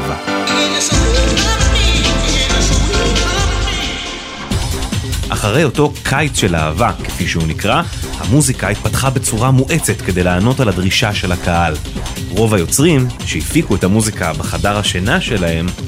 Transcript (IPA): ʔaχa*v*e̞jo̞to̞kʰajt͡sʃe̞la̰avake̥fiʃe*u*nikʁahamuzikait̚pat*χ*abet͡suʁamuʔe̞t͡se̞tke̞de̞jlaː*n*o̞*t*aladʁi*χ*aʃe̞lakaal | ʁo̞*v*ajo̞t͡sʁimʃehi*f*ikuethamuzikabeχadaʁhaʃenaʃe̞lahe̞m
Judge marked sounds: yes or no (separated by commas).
no, yes, yes, yes, yes, no, yes, yes